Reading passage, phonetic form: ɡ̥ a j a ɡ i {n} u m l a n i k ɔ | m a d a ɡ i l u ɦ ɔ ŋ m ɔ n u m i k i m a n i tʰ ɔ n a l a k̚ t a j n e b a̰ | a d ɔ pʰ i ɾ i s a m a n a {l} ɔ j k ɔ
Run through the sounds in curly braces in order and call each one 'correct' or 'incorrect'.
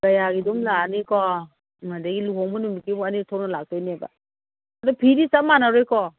incorrect, incorrect

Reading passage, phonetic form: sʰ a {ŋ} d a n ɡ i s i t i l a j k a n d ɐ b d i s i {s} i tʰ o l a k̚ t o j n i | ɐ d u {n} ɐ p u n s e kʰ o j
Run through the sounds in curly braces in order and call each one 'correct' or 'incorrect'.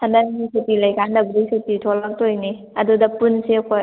incorrect, incorrect, incorrect

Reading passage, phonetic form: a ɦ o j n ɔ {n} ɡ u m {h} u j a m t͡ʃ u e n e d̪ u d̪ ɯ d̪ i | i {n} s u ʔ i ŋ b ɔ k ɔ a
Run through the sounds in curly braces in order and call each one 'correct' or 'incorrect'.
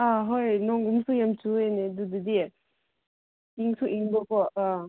incorrect, incorrect, incorrect

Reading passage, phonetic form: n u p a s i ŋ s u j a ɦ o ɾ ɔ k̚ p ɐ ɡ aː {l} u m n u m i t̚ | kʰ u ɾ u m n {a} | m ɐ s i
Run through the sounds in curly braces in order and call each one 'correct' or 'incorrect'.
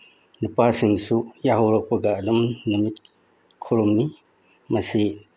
correct, incorrect

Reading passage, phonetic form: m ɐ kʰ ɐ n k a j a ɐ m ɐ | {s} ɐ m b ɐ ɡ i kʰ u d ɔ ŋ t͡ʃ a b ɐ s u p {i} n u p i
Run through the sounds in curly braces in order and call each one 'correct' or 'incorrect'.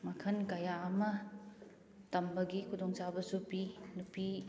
incorrect, correct

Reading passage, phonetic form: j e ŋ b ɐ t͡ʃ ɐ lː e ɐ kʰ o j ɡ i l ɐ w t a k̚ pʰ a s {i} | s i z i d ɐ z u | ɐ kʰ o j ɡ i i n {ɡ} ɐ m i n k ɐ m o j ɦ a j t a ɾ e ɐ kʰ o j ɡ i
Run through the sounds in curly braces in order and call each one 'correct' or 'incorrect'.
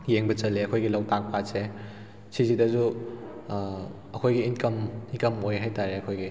incorrect, incorrect

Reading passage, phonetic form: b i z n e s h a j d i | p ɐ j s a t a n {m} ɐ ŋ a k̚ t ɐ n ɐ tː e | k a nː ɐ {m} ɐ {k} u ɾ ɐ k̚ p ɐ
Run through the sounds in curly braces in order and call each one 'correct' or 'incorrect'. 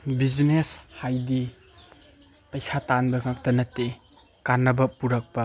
incorrect, incorrect, incorrect

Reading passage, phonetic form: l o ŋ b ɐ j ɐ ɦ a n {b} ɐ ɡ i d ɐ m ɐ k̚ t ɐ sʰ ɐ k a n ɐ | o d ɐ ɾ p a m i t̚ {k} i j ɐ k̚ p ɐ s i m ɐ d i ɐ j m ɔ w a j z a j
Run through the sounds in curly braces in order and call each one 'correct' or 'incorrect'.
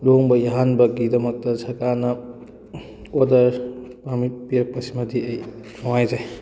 correct, incorrect

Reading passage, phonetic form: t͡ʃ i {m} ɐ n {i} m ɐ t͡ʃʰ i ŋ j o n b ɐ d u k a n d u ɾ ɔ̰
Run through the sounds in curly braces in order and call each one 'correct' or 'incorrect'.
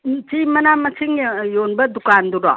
correct, incorrect

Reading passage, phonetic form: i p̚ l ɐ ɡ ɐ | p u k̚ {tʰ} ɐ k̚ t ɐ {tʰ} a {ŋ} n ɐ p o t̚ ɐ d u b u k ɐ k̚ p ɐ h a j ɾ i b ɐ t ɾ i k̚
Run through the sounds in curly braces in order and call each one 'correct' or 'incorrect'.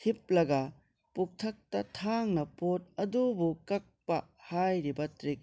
correct, correct, correct

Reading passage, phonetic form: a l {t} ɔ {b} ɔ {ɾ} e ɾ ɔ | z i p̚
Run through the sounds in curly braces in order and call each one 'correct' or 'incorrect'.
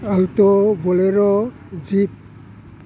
correct, correct, incorrect

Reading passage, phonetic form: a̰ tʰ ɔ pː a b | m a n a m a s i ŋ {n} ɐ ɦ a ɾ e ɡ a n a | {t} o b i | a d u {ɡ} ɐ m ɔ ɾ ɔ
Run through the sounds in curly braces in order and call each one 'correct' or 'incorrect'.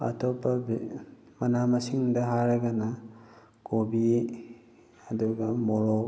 incorrect, incorrect, correct

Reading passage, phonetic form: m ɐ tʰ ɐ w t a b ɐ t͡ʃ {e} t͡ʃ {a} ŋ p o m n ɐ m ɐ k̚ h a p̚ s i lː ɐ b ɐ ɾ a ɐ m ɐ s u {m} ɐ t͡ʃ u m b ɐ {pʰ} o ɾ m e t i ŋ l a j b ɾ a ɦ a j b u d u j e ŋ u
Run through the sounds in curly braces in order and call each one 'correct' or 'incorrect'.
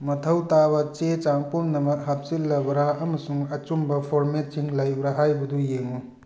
correct, correct, incorrect, correct

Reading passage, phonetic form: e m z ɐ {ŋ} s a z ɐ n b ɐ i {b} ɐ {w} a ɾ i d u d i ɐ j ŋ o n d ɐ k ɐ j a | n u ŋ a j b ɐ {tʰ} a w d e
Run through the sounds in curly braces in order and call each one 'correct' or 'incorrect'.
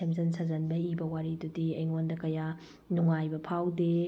incorrect, correct, correct, incorrect

